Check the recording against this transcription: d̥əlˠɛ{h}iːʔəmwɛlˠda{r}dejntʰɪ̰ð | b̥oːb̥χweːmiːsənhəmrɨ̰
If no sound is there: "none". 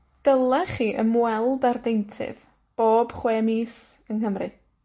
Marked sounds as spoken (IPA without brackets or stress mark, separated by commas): χ, r